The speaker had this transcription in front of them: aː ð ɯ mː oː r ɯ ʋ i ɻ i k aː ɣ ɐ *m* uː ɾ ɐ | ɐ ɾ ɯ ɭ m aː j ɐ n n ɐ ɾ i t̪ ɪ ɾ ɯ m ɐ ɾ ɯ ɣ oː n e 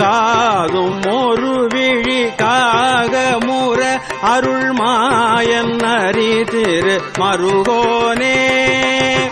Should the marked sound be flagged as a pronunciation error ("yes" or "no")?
no